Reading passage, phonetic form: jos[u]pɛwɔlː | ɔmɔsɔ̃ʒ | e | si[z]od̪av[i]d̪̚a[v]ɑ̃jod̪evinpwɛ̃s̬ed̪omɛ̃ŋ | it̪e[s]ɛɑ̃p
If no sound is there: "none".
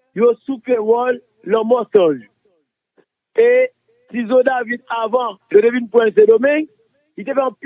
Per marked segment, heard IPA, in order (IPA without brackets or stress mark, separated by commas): u, z, i, v, f